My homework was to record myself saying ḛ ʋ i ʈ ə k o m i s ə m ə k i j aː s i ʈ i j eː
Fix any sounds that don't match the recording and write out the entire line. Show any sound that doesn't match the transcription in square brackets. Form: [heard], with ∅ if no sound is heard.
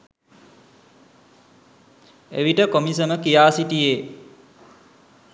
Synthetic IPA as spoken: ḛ ʋ i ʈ ə k o m i s ə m ə k i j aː s i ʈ i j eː

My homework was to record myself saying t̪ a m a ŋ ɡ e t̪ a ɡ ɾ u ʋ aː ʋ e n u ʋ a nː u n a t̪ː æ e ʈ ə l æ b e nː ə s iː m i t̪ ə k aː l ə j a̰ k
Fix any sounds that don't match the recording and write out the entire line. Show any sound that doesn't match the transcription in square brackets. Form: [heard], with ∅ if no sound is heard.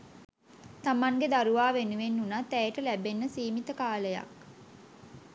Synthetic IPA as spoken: t̪ a m a ŋ ɡ e [d̪] a [∅] ɾ u ʋ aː ʋ e n u ʋ [e] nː u n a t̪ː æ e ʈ ə l æ b e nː ə s iː m i t̪ ə k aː l ə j a̰ k

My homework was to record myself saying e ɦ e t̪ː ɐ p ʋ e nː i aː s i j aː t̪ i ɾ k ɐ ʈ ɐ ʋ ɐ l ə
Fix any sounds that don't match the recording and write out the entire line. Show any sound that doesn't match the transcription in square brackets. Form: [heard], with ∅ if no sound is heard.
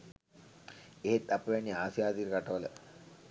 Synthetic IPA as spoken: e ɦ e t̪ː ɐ p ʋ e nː i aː s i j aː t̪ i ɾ k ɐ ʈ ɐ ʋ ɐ l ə

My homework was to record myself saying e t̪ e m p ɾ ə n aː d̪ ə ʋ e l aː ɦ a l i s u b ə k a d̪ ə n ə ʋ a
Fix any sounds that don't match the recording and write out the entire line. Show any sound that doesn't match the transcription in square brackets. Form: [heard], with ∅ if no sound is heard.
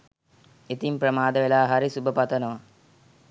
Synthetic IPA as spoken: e t̪ [i] m p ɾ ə [m] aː d̪ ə ʋ e l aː ɦ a [ɾ] i s u b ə [p] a [t̪] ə n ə ʋ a

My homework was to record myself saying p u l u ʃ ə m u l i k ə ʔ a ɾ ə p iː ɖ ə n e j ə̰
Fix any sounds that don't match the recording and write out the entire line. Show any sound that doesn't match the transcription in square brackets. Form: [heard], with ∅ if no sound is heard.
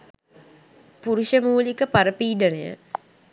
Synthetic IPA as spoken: p u [ɾ] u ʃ ə m [uː] l i k ə [p] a ɾ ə p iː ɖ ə n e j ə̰

